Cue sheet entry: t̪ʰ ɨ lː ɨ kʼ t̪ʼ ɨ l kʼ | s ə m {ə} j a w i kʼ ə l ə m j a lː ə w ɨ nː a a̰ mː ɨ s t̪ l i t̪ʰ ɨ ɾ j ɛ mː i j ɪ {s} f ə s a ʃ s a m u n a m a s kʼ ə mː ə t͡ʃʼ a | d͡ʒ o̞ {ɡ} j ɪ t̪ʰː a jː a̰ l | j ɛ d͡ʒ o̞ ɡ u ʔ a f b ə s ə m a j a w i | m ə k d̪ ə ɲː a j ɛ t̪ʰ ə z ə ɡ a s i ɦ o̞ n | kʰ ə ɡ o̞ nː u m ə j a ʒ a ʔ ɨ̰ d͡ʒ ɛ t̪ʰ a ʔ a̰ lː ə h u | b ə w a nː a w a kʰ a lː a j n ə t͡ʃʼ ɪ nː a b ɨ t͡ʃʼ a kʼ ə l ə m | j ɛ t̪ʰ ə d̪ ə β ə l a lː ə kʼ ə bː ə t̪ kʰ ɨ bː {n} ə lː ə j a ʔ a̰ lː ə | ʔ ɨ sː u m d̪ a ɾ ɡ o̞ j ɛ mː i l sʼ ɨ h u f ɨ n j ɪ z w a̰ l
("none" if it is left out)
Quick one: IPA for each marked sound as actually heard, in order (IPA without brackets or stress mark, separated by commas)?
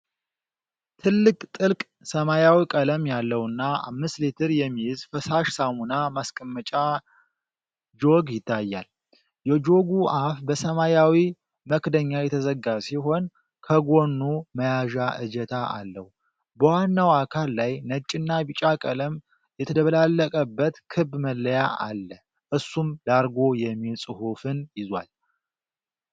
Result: a, z, ɡ, m